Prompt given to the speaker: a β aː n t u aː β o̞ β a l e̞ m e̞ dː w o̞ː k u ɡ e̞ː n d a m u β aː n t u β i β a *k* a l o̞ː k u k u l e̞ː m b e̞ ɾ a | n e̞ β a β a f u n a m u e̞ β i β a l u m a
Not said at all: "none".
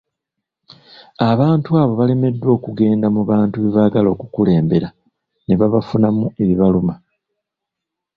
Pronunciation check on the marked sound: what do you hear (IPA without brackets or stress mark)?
ɡ